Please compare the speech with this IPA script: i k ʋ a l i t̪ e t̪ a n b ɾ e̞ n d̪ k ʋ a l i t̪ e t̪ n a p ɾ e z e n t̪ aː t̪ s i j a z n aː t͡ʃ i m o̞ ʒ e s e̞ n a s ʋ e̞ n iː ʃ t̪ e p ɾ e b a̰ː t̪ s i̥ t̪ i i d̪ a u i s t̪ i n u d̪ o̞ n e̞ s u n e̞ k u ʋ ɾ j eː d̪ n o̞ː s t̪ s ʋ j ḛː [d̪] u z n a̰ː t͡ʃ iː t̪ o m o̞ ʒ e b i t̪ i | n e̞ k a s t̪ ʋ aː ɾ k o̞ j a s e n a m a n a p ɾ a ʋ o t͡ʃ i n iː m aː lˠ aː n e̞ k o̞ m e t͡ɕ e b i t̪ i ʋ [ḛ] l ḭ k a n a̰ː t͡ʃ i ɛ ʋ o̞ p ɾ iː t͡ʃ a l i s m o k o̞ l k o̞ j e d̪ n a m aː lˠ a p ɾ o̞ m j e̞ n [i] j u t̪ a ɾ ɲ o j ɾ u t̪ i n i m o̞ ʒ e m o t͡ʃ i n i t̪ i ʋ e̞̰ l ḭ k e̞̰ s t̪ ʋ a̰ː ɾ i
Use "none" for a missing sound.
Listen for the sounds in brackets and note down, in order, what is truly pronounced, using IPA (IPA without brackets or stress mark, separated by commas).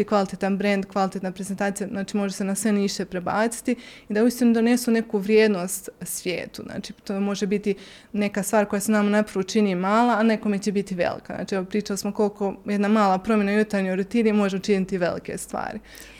t̪, ḛ, a